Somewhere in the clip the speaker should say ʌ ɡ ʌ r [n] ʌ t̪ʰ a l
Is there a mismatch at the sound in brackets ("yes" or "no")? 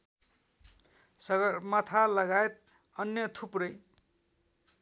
yes